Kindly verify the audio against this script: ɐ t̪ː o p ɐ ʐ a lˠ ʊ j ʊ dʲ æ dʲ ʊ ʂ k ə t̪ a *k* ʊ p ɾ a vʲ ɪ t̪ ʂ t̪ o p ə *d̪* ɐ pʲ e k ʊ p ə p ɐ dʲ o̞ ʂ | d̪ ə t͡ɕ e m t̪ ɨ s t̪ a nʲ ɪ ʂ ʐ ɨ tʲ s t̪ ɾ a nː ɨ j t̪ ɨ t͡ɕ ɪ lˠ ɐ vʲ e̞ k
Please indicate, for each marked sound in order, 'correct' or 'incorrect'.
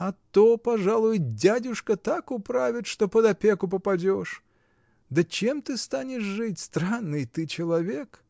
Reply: correct, correct

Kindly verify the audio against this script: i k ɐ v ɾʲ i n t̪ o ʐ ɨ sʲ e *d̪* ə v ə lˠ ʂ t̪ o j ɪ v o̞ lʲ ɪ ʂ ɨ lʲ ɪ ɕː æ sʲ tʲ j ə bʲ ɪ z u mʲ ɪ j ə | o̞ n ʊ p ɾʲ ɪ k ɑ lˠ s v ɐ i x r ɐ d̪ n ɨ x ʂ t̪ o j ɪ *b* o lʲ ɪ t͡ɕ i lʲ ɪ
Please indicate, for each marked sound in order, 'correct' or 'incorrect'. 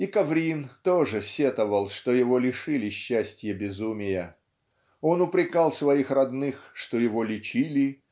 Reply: incorrect: t̪, incorrect: v

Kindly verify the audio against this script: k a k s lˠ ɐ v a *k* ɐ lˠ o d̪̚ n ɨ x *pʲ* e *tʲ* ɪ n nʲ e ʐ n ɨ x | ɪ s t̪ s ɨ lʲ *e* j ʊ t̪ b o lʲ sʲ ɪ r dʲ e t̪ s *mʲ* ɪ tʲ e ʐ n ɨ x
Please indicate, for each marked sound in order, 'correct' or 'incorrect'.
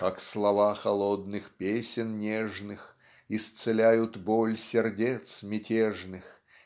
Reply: incorrect: x, correct, incorrect: sʲ, incorrect: æ, correct

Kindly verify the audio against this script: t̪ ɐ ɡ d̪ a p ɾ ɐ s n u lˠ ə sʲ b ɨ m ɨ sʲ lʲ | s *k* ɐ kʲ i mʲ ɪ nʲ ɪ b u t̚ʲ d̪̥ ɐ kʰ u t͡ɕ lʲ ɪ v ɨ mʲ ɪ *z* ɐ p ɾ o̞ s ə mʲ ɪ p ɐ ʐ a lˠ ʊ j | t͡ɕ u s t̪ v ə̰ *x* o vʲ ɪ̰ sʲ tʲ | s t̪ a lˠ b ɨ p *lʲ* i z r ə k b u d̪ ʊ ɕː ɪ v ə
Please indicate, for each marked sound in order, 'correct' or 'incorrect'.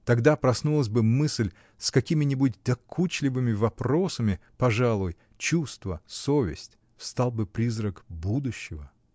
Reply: correct, incorrect: v, incorrect: s, incorrect: ɾʲ

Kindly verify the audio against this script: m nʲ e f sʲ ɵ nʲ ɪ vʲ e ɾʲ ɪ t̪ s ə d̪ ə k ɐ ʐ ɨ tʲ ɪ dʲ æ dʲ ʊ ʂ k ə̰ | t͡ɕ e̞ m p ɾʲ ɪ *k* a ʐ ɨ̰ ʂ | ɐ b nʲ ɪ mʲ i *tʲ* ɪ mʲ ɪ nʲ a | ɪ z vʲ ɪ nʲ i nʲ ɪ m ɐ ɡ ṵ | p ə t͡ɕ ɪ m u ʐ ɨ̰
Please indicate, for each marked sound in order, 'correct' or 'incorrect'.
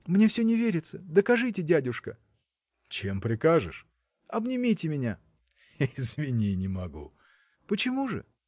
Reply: correct, correct

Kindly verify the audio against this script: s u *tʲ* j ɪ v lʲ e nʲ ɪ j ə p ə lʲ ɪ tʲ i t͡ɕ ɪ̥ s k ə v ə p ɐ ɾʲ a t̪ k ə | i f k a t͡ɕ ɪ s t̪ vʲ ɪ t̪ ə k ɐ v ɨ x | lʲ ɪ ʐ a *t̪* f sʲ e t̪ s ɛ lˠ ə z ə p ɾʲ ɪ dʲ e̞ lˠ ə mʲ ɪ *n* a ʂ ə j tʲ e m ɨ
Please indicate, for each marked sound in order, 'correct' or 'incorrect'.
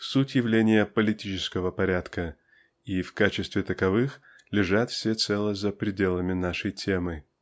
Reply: correct, correct, correct

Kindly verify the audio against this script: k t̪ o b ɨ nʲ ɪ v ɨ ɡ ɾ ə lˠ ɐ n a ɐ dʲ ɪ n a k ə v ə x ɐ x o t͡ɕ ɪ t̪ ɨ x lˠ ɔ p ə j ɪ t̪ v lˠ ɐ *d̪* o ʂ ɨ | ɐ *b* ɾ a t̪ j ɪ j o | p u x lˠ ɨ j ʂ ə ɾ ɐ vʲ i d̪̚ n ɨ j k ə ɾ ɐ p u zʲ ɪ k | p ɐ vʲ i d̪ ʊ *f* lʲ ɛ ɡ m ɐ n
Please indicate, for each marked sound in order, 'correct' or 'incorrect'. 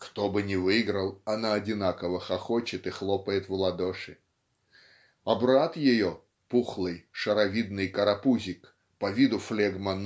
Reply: correct, correct, correct

